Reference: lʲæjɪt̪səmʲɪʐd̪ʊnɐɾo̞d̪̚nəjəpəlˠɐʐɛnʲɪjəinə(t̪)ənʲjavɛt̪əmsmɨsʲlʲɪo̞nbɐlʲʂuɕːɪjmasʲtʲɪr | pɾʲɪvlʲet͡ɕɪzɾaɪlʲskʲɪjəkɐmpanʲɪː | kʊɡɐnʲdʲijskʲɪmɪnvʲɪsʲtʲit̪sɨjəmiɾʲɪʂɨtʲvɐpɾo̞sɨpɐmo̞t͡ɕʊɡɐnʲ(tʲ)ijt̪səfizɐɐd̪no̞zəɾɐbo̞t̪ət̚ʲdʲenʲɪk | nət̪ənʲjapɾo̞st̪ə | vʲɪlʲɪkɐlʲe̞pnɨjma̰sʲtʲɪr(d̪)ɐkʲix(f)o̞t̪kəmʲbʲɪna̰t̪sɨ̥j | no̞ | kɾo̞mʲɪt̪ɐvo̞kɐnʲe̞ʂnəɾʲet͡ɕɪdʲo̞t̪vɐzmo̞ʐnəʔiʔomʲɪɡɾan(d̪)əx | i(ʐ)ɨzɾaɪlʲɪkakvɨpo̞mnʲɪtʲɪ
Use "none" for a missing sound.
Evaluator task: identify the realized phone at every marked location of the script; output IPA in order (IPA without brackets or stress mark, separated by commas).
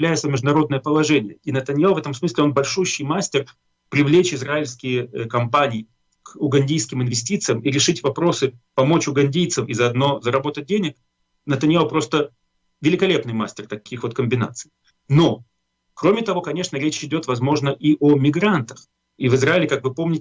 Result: t̪, dʲ, t̪, v, t̪, v